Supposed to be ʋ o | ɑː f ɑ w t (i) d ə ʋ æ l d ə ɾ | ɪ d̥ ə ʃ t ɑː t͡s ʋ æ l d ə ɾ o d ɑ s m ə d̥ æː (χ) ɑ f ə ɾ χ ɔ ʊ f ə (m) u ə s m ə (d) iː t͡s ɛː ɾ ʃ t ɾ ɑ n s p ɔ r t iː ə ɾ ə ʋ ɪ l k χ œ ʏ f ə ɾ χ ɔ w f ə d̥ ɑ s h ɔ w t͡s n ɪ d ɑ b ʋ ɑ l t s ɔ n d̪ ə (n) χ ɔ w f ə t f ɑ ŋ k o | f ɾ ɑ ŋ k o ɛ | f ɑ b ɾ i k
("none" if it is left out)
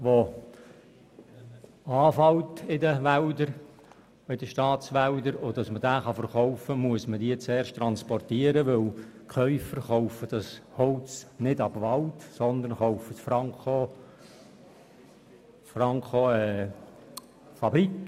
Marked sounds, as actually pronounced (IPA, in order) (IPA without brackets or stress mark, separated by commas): ɪ, χ, m, d, n